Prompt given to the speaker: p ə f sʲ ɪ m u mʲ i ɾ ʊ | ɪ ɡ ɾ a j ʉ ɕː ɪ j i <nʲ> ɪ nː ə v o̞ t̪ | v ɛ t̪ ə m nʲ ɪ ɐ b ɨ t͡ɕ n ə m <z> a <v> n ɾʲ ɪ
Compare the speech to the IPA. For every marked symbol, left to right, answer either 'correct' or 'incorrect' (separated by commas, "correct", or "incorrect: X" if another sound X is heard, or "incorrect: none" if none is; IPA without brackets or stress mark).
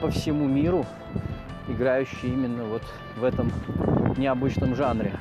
incorrect: mʲ, incorrect: ʐ, incorrect: none